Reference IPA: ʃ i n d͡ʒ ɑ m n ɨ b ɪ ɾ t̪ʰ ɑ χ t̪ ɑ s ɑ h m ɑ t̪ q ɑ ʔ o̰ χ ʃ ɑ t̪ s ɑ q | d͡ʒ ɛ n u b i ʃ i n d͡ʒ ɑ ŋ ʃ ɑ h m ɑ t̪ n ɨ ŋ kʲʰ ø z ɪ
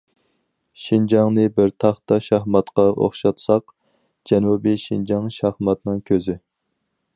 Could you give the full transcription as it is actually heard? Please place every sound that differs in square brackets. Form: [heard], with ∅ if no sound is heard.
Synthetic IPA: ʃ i n d͡ʒ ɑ [ŋ] n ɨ b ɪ ɾ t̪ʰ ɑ χ t̪ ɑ [ʃ] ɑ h m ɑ t̪ q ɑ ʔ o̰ χ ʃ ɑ t̪ s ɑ q | d͡ʒ ɛ n u b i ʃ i n d͡ʒ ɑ ŋ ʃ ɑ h m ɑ t̪ n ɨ ŋ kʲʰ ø z ɪ